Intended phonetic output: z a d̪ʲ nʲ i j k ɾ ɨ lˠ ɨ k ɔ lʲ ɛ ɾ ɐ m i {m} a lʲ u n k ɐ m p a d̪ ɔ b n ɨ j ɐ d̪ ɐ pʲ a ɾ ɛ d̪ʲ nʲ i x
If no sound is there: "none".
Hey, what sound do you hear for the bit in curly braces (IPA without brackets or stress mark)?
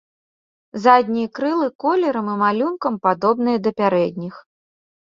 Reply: m